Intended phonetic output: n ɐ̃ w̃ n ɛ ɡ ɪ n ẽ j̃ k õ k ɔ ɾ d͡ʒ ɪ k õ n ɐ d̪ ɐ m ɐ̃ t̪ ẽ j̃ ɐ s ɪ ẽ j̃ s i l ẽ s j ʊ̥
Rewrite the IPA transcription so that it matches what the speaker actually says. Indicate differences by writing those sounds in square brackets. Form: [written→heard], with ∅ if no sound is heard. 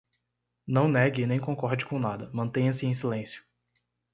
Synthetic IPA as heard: n ɐ̃ w̃ n ɛ ɡ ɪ n ẽ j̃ k õ k ɔ ɾ d͡ʒ ɪ k õ n [ɐ→a] d̪ ɐ m ɐ̃ t̪ ẽ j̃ ɐ s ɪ ẽ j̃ s i l ẽ s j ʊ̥